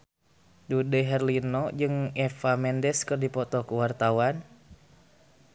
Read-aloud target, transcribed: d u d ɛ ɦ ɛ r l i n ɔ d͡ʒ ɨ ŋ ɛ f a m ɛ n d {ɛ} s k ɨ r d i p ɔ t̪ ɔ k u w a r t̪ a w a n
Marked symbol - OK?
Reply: yes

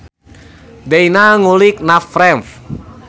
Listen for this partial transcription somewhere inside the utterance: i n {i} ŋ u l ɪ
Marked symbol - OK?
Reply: no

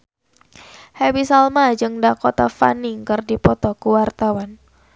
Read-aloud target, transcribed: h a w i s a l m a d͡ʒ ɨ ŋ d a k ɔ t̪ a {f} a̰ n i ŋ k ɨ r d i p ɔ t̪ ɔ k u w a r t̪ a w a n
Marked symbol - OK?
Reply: yes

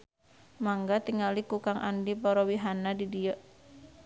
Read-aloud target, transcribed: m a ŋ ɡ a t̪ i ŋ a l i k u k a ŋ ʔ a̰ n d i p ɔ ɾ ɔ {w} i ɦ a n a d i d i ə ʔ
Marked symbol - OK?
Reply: yes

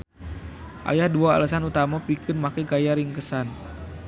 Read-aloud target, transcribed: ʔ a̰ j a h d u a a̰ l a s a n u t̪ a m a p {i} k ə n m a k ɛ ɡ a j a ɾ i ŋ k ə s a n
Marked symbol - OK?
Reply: yes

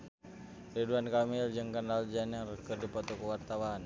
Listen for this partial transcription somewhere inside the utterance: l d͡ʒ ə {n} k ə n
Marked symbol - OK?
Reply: no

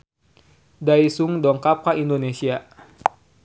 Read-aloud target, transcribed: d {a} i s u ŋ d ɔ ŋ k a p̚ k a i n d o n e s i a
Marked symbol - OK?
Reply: yes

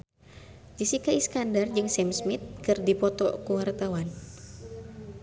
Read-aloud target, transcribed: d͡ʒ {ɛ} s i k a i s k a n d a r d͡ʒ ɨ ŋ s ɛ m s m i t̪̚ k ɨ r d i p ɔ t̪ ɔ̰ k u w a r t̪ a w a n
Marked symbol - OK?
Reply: no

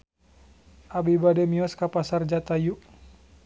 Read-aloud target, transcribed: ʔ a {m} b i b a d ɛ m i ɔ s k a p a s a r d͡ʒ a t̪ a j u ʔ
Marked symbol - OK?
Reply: no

